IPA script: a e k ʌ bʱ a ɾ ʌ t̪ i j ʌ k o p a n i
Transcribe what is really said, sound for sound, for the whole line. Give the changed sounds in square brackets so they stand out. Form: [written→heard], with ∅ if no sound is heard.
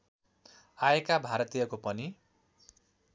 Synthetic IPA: a e k [ʌ→a] bʱ a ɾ ʌ t̪ i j ʌ k o p [a→ʌ] n i

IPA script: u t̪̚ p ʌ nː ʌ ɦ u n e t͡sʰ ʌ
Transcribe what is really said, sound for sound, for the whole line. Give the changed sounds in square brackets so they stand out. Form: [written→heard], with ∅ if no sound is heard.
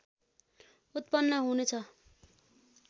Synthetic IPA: u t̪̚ p ʌ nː ʌ ɦ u n e t͡sʰ ʌ

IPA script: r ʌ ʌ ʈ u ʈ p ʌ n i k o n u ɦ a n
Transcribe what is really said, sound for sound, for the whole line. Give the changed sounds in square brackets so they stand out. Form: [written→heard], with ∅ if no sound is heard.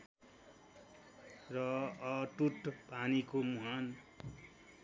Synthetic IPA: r ʌ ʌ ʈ u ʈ p [ʌ→a] n i k o [n→m] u ɦ a n

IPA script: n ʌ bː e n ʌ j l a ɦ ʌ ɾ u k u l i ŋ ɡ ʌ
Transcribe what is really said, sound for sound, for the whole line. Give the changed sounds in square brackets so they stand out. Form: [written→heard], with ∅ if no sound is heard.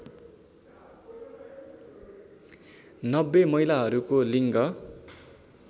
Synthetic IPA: n ʌ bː e [n→m] ʌ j l a ɦ ʌ ɾ u k [u→o] l i ŋ ɡ ʌ

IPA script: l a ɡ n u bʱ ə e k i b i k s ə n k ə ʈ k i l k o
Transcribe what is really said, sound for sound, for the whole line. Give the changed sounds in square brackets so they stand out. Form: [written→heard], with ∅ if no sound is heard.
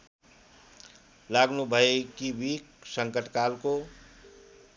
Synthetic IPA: l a ɡ n u bʱ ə e k i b i k s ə [n→ŋ] k ə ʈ k [i→a] l k o

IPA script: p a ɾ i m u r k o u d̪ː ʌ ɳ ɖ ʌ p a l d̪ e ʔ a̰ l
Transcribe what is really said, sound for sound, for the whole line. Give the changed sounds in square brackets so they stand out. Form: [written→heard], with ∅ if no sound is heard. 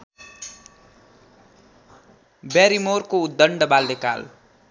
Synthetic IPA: [p→b] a ɾ i m [u→o] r k o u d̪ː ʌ ɳ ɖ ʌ [p→b] a l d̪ e [ʔ→k] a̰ l

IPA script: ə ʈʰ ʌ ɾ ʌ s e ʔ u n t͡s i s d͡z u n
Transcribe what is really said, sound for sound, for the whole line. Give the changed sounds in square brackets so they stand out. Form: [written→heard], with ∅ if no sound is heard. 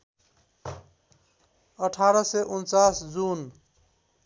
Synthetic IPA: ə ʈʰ [ʌ→a] ɾ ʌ s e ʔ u n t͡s [i→a] s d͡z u n

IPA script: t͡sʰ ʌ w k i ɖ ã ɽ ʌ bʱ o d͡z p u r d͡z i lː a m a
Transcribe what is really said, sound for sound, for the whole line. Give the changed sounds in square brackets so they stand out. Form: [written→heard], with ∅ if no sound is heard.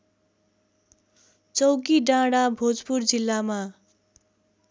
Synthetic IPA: [t͡sʰ→t͡s] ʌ w k i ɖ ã ɽ [ʌ→a] bʱ o d͡z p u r d͡z i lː a m a

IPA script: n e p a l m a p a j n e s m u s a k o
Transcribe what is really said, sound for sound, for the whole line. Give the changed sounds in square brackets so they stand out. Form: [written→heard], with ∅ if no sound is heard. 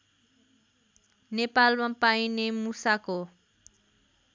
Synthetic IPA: n e p a l m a p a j n e [s→∅] m u s a k o

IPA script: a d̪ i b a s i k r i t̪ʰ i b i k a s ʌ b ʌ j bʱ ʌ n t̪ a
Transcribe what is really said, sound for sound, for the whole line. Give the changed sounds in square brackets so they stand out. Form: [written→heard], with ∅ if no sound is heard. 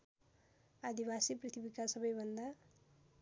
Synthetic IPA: a d̪ i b a s i [k→p] r i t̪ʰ i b i k a s ʌ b ʌ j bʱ ʌ n [t̪→d̪] a

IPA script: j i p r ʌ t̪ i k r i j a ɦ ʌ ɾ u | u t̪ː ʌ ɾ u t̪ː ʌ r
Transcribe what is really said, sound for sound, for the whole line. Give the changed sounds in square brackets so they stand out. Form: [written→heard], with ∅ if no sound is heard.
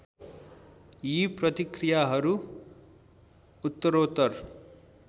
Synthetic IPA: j i p r ʌ t̪ i k r i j a ɦ ʌ ɾ u | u t̪ː ʌ ɾ [u→o] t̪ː ʌ r

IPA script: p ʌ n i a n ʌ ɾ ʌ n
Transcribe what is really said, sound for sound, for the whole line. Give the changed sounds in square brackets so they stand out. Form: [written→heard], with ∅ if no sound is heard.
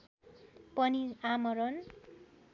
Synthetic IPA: p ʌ n i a [n→m] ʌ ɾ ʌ n

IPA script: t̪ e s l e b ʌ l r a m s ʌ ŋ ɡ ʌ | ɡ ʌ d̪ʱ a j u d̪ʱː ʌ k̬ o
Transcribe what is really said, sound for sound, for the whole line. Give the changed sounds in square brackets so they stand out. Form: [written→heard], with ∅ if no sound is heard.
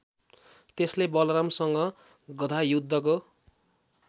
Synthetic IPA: t̪ e s l e b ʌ l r a m s ʌ ŋ ɡ ʌ | ɡ ʌ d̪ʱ a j u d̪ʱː ʌ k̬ o

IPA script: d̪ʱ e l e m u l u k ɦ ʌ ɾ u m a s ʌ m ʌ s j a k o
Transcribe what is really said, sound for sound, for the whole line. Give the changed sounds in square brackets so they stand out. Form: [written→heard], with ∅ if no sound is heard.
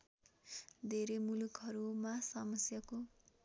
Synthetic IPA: d̪ʱ e [l→ɾ] e m u l u k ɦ ʌ ɾ u m a s ʌ m ʌ s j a k o

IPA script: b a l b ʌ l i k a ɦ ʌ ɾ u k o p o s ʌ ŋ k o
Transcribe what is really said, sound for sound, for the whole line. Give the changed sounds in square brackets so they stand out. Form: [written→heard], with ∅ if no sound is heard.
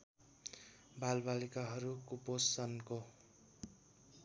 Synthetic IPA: b a l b [ʌ→a] l i k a ɦ ʌ ɾ u k [o→u] p o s ʌ [ŋ→n] k o

